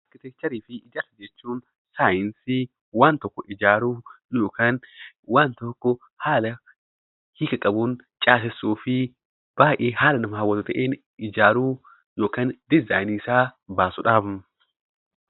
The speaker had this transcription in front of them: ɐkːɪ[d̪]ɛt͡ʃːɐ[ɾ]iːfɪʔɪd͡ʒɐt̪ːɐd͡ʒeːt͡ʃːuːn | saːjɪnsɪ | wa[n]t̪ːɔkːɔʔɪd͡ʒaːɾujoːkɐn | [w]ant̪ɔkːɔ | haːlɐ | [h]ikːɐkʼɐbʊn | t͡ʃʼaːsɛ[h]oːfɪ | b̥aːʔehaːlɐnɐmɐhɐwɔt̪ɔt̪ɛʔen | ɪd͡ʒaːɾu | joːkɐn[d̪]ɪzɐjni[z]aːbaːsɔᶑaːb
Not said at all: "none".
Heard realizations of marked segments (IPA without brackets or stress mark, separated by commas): t̪, ɾ, n, w, h, s, d̪, s